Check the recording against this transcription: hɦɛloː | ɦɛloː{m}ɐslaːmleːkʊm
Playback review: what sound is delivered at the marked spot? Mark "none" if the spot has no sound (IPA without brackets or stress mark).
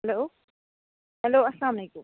none